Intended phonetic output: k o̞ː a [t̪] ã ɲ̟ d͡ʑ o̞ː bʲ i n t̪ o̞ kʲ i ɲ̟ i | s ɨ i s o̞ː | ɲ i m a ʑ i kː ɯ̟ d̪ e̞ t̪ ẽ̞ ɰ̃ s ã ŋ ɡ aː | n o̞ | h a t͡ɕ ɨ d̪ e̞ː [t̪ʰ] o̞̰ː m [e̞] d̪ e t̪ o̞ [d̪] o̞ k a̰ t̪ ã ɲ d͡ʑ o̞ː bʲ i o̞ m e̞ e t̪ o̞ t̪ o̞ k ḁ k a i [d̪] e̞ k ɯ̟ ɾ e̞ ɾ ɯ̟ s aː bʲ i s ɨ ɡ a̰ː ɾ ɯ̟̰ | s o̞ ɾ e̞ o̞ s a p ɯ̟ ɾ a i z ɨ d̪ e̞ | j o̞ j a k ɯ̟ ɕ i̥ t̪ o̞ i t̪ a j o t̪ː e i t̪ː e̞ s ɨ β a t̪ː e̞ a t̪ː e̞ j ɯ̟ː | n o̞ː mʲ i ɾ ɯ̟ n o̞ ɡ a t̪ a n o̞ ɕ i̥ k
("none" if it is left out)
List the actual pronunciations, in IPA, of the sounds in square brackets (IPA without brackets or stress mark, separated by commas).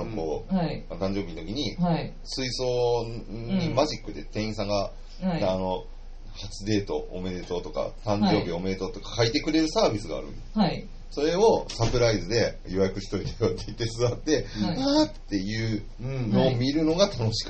t̪, t̪, e̞, t̪, t̪